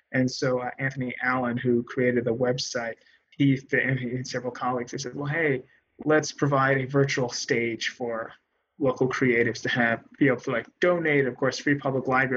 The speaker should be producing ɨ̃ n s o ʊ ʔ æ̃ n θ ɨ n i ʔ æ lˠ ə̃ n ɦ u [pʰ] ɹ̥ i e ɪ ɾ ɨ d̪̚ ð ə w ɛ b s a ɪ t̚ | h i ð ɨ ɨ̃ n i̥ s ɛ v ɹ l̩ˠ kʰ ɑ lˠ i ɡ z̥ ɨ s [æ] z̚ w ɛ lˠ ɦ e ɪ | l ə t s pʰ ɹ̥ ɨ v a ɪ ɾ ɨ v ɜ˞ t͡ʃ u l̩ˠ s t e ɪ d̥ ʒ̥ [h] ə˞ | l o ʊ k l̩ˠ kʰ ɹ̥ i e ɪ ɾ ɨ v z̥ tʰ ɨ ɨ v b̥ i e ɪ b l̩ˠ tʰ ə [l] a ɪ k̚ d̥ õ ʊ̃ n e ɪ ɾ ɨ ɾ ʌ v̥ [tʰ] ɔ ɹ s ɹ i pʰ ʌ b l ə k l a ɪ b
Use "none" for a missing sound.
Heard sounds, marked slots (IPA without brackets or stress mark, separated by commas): kʰ, ɛ, f, l, kʰ